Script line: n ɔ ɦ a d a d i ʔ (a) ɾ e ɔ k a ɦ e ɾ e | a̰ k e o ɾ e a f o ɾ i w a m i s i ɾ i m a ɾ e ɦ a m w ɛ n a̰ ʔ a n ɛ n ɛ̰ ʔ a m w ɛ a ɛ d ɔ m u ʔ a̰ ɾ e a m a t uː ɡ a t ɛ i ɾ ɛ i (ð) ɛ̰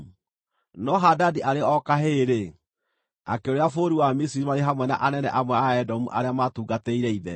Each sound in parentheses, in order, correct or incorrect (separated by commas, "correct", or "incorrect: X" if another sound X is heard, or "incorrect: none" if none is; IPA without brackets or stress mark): correct, correct